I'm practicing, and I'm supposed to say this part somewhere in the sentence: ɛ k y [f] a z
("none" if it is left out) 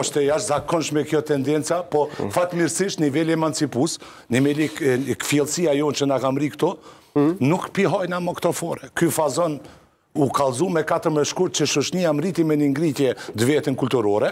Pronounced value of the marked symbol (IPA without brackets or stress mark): f